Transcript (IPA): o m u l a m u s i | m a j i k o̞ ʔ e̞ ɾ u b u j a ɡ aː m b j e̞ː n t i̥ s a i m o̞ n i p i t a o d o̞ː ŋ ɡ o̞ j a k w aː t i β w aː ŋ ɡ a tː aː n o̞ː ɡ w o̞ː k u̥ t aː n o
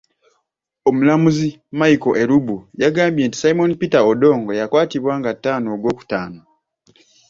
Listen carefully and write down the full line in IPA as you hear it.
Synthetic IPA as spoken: o m u l a m u z i | m a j i k o̞ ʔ e̞ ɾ u b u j a ɡ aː m b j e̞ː n t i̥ s a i m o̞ n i p i t a o d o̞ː ŋ ɡ o̞ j a k w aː t i β w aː ŋ ɡ a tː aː n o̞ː ɡ w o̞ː k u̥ t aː n o